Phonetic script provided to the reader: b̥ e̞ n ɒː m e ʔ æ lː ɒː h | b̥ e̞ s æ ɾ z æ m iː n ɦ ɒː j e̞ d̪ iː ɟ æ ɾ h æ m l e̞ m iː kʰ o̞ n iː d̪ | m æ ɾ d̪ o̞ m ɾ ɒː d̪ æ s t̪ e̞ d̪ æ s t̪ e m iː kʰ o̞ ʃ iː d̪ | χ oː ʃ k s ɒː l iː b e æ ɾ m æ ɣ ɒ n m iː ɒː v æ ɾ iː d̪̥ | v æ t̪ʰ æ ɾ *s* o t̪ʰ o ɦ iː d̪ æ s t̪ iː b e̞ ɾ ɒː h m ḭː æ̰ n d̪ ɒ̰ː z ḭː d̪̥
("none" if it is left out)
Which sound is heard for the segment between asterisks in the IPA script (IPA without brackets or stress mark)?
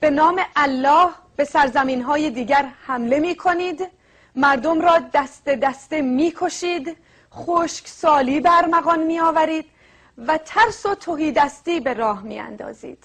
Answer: s